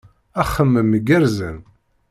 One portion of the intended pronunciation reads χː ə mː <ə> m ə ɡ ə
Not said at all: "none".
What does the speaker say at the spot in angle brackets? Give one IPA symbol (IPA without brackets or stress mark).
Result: ə